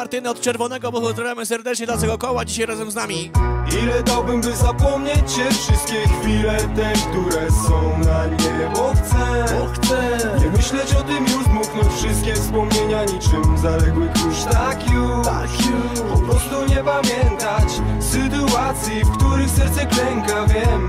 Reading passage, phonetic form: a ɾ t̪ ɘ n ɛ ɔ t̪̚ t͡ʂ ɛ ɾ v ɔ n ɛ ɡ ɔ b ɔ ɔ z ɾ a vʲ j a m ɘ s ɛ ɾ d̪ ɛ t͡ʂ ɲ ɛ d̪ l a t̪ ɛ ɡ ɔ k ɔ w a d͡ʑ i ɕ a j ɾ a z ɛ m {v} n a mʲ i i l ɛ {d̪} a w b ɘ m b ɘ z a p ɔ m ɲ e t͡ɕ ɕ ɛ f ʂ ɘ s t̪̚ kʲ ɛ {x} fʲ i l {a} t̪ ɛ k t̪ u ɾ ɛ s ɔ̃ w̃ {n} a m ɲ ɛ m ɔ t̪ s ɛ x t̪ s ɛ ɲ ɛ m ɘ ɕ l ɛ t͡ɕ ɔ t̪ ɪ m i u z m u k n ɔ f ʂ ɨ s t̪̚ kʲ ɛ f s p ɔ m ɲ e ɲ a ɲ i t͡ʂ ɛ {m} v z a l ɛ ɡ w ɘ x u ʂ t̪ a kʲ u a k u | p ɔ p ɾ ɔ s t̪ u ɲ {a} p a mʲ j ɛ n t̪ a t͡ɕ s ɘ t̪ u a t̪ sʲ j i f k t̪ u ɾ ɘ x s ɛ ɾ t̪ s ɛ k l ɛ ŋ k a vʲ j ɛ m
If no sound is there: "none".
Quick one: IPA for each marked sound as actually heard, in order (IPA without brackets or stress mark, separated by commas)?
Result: z, d̪, x, ɛ, n, m, ɛ